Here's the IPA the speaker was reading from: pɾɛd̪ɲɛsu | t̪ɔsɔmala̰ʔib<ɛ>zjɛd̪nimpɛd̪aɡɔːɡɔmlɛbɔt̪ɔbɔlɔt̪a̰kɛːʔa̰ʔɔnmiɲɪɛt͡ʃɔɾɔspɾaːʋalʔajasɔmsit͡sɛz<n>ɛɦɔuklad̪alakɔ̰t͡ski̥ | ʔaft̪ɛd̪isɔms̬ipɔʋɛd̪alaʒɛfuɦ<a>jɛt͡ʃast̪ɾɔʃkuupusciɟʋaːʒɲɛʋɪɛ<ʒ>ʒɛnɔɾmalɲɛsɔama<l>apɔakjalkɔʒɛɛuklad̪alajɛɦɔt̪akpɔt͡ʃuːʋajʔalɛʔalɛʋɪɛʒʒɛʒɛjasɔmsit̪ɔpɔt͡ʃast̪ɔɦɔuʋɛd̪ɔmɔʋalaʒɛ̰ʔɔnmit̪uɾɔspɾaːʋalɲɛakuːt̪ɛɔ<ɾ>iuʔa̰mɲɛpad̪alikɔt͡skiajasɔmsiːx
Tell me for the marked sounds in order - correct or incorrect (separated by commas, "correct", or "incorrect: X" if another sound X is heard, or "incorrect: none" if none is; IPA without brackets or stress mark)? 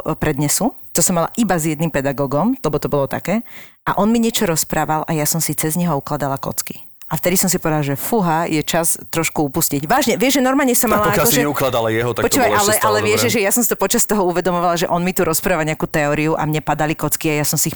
incorrect: a, incorrect: ɲ, correct, correct, correct, correct